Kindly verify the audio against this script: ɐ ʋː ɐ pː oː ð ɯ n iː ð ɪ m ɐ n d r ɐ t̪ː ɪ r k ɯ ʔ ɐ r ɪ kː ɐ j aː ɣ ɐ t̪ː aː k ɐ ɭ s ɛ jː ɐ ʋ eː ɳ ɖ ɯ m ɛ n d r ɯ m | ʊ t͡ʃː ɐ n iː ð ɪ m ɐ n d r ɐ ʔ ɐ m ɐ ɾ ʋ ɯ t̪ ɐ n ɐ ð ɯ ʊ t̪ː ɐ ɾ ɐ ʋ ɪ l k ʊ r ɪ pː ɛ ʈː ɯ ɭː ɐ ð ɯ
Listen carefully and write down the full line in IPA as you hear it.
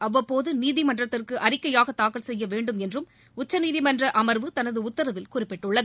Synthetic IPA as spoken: ɐ ʋː ɐ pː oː ð ɯ n iː ð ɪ m ɐ n d r ɐ t̪ː ɪ r k ɯ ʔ ɐ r ɪ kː ɐ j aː ɣ ɐ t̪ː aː k ɐ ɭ s ɛ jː ɐ ʋ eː ɳ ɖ ɯ m ɛ n d r ɯ m | ʊ t͡ʃː ɐ n iː ð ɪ m ɐ n d r ɐ ʔ ɐ m ɐ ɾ ʋ ɯ t̪ ɐ n ɐ ð ɯ ʊ t̪ː ɐ ɾ ɐ ʋ ɪ l k ʊ r ɪ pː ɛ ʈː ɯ ɭː ɐ ð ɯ

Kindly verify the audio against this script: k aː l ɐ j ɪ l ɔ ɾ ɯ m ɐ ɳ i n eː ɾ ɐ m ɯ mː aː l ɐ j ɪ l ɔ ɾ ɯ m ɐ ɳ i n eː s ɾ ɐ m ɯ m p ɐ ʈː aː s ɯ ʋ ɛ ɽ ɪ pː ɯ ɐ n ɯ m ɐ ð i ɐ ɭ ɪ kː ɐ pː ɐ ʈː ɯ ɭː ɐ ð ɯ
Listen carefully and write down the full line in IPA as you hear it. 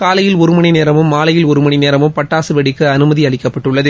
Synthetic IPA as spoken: k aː l ɐ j ɪ l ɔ ɾ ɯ m ɐ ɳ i n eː ɾ ɐ m ɯ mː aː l ɐ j ɪ l ɔ ɾ ɯ m ɐ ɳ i n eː ɾ ɐ m ɯ m p ɐ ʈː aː s ɯ ʋ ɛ ɽ ɪ kː ɯ ɐ n ɯ m ɐ ð i ɐ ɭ ɪ kː ɐ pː ɐ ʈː ɯ ɭː ɐ ð ɯ

